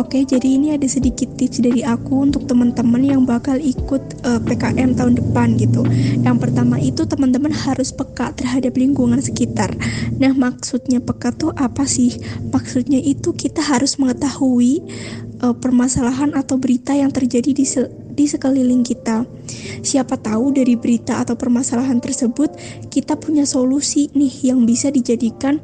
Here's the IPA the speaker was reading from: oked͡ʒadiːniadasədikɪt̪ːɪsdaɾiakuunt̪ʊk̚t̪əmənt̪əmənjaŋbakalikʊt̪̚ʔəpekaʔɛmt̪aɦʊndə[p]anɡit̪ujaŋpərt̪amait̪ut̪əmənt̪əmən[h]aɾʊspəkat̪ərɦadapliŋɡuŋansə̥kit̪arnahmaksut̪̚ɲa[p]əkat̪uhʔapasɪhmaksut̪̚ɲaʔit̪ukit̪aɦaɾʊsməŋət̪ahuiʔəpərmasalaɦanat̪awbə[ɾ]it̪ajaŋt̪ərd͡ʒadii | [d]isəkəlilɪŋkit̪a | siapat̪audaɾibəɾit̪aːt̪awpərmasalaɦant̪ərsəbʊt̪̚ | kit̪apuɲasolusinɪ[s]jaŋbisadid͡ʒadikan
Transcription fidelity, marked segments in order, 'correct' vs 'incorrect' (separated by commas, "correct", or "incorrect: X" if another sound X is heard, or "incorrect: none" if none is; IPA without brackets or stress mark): correct, correct, correct, correct, correct, incorrect: h